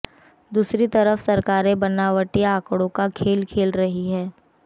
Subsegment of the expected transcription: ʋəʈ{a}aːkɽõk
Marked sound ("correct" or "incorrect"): incorrect